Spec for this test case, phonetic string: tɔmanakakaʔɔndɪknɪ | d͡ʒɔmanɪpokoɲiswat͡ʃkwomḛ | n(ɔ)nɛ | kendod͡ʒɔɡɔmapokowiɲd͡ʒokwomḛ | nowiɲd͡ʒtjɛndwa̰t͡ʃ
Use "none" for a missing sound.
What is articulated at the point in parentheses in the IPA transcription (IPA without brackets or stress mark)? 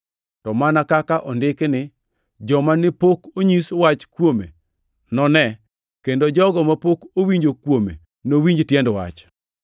ɔ